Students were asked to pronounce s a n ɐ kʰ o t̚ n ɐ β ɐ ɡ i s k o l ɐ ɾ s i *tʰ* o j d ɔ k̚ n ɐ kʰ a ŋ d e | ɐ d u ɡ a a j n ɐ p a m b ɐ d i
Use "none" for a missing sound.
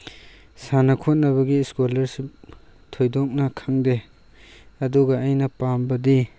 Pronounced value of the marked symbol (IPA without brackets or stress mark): tʰ